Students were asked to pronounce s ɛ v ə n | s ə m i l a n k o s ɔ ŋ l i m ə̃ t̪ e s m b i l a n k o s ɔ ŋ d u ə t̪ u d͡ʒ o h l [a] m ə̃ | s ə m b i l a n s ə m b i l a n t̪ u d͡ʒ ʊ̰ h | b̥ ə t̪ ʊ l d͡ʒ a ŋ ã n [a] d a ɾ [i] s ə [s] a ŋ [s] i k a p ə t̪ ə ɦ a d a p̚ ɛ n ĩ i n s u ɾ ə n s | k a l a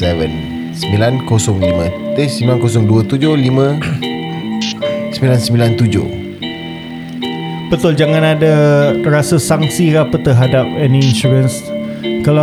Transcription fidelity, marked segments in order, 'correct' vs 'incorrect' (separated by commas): incorrect, correct, incorrect, correct, correct